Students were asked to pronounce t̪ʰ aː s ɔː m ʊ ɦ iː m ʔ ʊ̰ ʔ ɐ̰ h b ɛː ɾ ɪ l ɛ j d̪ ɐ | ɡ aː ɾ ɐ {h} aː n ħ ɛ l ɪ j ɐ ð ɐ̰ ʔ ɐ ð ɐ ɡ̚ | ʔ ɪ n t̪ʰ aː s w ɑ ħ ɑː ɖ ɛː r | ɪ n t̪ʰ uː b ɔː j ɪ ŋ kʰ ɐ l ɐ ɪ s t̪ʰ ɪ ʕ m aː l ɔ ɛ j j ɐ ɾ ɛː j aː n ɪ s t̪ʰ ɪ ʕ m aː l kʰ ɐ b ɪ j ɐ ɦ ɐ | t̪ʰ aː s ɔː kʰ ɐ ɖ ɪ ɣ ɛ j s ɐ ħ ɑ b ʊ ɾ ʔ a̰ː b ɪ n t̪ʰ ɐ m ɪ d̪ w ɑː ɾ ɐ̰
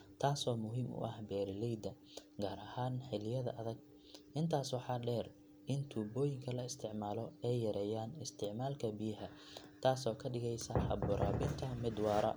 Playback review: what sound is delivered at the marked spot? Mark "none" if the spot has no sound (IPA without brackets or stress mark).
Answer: h